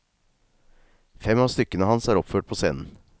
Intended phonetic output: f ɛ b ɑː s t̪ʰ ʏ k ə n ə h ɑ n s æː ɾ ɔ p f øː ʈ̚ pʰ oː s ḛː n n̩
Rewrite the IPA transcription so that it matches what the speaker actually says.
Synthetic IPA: f ɛ m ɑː s t̪ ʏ k ə n ə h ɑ n s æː ɾ ɔ p f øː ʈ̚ pʰ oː s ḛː n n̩